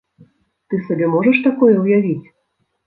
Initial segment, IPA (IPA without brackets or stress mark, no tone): t̪